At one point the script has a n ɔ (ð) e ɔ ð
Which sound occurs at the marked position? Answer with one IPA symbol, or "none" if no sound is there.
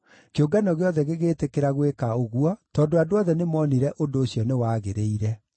ɣ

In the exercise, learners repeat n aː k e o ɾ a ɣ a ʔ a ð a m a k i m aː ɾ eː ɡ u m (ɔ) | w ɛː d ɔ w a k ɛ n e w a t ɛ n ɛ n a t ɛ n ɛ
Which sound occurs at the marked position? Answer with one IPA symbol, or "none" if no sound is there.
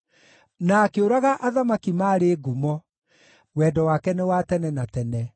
ɔ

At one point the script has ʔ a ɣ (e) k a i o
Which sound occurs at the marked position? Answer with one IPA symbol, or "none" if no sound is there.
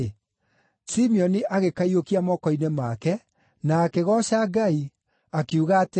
e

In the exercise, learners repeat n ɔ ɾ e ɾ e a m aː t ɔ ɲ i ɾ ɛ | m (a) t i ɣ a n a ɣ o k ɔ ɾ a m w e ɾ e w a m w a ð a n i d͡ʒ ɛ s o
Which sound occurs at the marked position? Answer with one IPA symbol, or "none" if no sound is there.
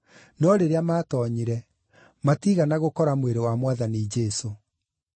a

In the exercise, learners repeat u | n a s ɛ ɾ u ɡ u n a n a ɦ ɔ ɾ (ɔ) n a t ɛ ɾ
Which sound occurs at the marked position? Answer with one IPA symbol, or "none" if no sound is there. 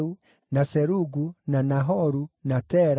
u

